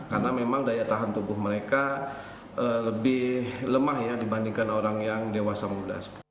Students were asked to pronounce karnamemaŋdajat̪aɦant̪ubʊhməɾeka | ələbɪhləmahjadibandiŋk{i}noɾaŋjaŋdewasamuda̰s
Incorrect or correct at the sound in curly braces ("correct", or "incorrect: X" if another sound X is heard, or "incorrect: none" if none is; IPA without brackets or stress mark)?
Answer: incorrect: a